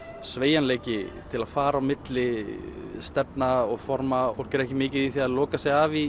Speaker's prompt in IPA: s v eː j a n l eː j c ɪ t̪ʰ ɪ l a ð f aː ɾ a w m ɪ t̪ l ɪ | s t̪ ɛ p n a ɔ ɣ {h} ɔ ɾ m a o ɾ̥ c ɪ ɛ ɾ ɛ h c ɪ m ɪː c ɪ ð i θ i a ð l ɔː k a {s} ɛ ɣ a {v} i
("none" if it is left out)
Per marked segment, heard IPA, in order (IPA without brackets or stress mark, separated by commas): f, s, v